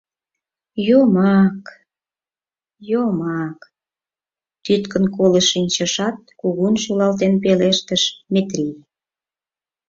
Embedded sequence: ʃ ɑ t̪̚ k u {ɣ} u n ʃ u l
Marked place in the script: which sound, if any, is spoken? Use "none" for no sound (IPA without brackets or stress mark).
ɣ